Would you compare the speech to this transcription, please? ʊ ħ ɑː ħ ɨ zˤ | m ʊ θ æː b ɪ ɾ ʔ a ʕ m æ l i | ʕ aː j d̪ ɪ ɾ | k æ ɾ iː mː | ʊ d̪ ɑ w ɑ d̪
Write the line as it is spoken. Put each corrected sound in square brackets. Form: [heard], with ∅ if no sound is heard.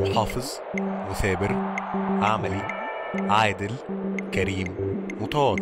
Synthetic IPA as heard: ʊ ħ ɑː [f] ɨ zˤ | m ʊ θ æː b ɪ ɾ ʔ a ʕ m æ l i | ʕ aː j d̪ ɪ [l] | k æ ɾ iː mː | ʊ [t̪] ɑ w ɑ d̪

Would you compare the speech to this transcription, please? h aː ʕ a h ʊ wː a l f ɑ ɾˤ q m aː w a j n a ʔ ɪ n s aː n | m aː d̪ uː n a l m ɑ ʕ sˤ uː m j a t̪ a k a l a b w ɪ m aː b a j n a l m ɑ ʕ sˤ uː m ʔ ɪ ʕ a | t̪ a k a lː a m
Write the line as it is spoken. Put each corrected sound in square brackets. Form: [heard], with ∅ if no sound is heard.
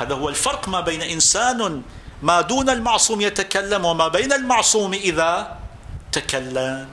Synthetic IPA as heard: h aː [ð] a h ʊ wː a l f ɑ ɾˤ q m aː [b] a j n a ʔ ɪ n s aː n | m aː d̪ uː n a l m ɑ ʕ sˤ uː m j a t̪ a k a [lː] a [m] w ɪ m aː b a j n a l m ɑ ʕ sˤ uː m ʔ ɪ [ð] a | t̪ a k a lː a m

